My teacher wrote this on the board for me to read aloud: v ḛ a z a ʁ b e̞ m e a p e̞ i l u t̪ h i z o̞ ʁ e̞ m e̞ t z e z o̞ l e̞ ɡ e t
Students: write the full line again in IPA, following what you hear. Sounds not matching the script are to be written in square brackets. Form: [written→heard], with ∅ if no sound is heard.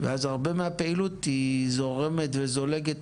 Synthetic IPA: v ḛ a z a ʁ b e̞ m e a p e̞ i l u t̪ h i z o̞ ʁ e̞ m e̞ t [z→v] e z o̞ l e̞ ɡ e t